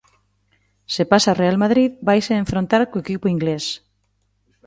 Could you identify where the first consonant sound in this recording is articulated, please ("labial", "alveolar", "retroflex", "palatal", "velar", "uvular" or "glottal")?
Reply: alveolar